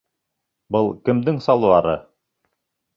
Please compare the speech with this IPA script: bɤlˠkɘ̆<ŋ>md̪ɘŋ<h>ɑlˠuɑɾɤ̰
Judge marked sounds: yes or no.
no, no

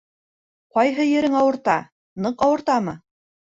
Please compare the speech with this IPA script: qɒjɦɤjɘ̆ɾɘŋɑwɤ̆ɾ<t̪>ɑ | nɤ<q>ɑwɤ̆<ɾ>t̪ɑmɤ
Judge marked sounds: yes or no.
yes, yes, yes

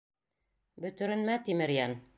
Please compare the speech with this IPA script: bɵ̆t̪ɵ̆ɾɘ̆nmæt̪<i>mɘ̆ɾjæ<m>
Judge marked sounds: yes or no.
yes, no

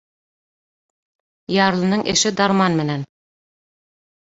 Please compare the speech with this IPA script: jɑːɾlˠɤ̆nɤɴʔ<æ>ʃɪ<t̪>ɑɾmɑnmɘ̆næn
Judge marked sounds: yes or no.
no, no

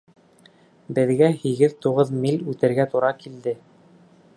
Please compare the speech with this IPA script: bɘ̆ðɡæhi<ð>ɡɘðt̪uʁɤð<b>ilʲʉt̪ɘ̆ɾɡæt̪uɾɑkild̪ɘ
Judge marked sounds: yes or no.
no, no

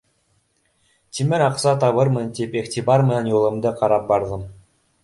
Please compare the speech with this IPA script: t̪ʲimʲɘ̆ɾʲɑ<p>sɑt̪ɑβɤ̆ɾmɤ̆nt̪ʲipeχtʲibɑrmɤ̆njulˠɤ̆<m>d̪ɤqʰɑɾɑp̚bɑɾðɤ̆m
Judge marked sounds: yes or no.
no, yes

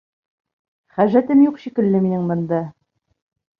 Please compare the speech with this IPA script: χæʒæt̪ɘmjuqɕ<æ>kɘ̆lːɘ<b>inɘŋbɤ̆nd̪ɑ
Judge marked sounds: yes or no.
no, no

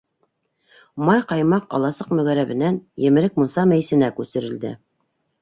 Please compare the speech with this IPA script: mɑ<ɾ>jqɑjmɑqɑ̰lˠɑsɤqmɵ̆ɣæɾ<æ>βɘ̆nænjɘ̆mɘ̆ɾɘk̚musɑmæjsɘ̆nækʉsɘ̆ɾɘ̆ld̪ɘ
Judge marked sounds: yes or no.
no, yes

